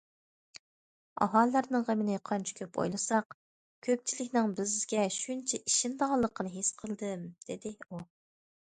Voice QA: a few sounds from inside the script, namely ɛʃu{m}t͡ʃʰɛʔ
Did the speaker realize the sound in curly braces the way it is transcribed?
no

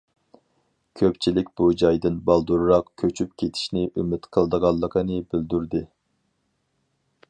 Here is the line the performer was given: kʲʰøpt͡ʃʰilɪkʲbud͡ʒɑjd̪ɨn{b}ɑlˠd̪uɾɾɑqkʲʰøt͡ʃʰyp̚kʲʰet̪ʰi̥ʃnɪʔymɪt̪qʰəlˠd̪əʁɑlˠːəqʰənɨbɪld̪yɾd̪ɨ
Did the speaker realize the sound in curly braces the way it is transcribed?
yes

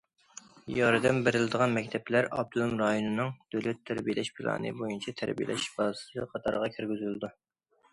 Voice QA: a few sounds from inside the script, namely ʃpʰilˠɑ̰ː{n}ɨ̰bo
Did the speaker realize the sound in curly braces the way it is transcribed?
yes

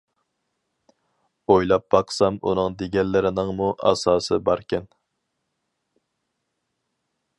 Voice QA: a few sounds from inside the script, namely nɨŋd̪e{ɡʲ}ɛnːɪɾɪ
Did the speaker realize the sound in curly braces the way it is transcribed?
yes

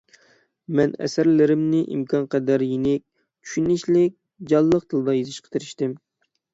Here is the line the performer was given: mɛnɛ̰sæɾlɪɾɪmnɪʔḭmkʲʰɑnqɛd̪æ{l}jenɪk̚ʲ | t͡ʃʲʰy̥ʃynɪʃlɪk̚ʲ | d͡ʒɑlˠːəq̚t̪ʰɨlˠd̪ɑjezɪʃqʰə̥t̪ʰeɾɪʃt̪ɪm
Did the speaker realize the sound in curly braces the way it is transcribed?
no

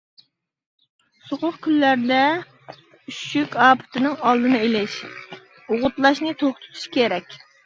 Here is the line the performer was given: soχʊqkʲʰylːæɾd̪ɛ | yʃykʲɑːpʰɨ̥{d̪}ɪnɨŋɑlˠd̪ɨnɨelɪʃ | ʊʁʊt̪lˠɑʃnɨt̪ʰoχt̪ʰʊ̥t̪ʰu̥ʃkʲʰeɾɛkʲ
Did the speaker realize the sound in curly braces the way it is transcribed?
no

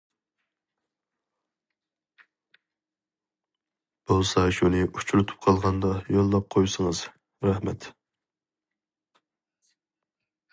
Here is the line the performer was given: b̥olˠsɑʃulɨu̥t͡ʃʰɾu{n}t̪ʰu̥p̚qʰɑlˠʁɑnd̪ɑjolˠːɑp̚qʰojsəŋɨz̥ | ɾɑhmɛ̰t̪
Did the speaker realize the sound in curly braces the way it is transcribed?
no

